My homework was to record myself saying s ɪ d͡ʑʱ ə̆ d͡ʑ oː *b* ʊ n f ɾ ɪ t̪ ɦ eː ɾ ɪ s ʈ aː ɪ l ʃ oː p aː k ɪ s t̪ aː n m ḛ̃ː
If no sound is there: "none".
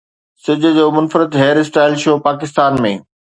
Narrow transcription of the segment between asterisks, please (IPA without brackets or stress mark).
m